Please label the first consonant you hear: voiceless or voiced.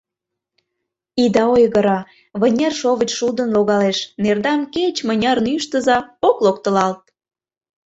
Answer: voiced